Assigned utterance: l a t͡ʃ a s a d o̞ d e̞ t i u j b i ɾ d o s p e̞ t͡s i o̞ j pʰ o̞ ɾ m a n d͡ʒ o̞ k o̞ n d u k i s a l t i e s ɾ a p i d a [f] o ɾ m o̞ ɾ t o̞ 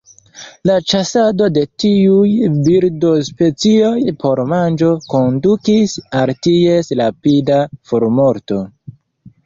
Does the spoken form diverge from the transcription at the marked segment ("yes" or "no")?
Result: no